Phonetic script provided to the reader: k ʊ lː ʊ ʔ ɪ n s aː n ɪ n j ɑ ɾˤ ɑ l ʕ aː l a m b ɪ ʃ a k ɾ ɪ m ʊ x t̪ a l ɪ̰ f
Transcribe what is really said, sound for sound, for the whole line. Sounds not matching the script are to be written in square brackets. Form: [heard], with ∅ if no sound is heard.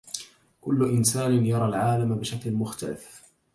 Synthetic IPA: k ʊ lː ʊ ʔ ɪ n s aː n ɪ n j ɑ ɾˤ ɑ l ʕ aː l a m b ɪ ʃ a k [l] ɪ m ʊ x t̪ a l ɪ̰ f